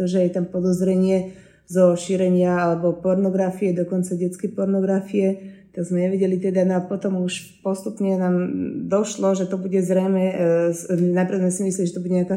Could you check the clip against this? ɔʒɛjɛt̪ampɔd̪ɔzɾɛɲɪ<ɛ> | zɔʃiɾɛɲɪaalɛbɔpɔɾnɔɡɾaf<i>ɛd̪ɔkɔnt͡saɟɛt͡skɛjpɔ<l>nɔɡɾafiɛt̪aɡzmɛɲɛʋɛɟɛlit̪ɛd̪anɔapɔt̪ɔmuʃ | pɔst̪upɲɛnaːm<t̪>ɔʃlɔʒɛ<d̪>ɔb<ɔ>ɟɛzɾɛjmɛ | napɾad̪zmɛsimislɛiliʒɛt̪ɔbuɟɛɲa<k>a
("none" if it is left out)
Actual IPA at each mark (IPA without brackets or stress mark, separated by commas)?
ɛ, i, ɾ, d̪, t̪, u, k